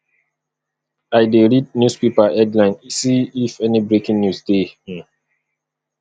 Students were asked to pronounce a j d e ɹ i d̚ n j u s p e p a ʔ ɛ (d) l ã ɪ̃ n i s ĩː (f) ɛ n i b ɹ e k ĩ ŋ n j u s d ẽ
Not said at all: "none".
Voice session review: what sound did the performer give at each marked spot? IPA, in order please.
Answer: d, f

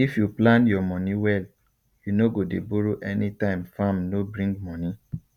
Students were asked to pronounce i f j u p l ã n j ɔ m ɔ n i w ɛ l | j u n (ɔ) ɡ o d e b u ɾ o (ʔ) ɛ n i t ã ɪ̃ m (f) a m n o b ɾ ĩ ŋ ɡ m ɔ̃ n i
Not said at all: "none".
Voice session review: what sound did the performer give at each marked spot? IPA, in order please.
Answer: o, ʔ, f

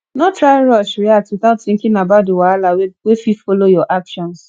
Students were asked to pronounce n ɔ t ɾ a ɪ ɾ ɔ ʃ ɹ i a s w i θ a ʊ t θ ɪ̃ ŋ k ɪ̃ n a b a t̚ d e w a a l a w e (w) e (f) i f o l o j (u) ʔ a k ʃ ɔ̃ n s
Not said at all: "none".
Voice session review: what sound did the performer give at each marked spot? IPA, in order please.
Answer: w, f, ɔ

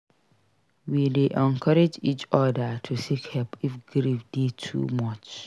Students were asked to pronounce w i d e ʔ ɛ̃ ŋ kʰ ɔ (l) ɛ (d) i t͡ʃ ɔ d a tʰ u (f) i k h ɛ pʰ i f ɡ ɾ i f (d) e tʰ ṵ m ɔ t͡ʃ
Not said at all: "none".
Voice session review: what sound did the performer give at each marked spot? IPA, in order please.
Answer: ɾ, d͡ʒ, s, d

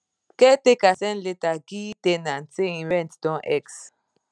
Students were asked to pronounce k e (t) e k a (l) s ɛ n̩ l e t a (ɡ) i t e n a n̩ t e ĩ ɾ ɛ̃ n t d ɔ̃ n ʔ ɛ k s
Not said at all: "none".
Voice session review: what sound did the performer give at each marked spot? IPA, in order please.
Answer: t, none, ɡ

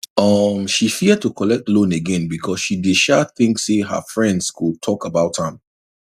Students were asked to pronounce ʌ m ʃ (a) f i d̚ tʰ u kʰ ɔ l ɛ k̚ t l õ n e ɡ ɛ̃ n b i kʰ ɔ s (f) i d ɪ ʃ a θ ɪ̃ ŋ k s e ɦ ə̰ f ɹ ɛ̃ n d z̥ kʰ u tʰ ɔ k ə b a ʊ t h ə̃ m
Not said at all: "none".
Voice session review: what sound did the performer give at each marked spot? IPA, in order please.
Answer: i, ʃ

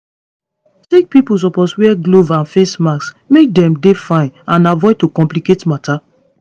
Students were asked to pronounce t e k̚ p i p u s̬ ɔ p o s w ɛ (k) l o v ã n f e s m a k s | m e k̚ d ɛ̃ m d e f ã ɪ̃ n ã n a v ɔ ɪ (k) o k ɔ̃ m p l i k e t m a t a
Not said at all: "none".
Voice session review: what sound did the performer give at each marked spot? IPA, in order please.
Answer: ɡ, t

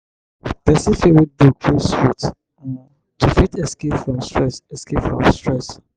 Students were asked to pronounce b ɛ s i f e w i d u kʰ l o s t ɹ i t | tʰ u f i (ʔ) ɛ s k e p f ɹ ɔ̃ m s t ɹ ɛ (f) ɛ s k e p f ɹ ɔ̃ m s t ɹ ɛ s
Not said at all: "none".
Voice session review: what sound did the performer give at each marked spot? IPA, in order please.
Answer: t, s

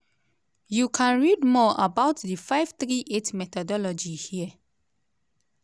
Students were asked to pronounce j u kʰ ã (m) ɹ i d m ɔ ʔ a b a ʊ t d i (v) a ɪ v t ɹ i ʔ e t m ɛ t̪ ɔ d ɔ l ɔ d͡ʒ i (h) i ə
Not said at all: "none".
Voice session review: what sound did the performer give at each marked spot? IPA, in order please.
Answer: n, f, h

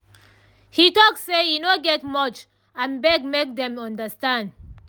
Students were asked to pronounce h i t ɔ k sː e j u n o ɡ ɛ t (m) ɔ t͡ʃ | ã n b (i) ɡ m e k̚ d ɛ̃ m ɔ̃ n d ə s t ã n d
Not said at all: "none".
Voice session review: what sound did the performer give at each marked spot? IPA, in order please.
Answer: m, ɛ

